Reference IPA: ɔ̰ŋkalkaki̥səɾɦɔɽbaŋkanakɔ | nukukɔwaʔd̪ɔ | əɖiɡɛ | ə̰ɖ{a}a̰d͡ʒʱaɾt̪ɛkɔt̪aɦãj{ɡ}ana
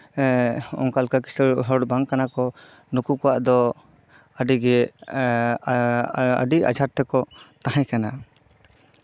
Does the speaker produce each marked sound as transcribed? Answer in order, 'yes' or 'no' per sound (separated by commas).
no, no